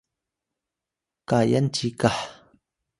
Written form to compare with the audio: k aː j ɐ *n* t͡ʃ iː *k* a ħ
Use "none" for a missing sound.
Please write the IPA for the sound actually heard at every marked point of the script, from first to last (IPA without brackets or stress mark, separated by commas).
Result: n, k